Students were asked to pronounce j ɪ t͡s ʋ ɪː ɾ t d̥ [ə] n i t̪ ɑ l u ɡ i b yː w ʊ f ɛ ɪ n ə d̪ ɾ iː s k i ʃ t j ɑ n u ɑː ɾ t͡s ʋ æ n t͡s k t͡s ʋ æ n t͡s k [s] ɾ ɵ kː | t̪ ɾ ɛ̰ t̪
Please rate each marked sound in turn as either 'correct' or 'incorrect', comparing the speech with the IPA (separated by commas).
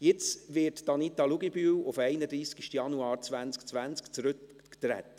incorrect, incorrect